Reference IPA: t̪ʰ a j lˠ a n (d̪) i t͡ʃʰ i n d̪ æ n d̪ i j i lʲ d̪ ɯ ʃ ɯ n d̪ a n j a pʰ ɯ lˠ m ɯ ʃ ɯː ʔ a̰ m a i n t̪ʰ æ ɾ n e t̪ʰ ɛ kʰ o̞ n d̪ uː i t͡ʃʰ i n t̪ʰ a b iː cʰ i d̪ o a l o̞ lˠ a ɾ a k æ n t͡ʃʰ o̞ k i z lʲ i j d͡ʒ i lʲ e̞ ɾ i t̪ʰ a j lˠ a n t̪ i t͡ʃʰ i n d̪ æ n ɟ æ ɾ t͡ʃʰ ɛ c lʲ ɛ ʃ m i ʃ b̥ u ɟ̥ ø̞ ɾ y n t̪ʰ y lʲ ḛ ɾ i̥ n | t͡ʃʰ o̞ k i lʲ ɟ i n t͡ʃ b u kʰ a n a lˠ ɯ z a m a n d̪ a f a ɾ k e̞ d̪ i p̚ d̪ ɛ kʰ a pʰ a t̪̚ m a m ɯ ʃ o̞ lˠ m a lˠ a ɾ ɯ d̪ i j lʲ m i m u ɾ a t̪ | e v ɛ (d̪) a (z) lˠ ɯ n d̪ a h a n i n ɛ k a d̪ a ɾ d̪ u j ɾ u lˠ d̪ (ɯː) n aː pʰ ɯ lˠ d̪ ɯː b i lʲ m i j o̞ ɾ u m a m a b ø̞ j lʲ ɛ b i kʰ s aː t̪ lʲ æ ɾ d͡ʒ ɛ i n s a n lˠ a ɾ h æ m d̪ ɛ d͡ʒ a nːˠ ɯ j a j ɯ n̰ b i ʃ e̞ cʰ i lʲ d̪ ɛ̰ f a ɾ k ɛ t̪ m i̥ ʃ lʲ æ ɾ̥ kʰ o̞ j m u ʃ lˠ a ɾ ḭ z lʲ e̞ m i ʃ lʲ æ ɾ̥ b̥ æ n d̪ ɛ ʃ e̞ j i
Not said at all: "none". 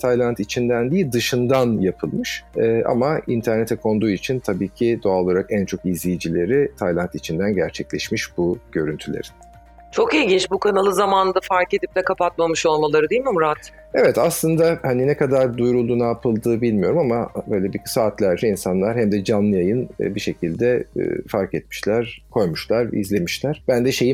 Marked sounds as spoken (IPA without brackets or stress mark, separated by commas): t̪, t̪, s, uː